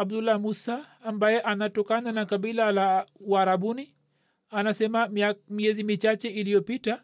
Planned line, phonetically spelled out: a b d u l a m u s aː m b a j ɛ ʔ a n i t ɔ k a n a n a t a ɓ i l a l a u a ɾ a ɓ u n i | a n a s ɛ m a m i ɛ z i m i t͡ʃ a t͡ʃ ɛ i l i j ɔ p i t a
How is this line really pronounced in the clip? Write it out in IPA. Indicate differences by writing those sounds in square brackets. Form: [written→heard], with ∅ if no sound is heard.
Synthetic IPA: a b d u l a m u s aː m b a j ɛ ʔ a n [i→a] t ɔ k a n a n a [t→k] a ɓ i l a l a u a ɾ a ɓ u n i | a n a s ɛ m a m i ɛ z i m i t͡ʃ a t͡ʃ ɛ i l i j ɔ p i t a